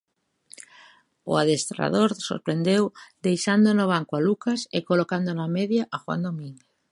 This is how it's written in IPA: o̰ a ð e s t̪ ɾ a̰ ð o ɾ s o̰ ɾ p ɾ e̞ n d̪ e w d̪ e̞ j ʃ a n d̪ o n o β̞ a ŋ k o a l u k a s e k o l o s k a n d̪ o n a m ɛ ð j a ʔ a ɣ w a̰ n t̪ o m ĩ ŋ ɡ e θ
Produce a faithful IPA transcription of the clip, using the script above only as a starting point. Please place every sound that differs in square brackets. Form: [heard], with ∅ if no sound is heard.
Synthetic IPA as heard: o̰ a ð e s t̪ ɾ a̰ ð o ɾ s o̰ ɾ p ɾ e̞ n d̪ e w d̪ e̞ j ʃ a n d̪ o n o β̞ a ŋ k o a l u k a s e k o l o [∅] k a n d̪ o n a m [e] ð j a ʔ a [x] w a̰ n [d̪] o m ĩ ŋ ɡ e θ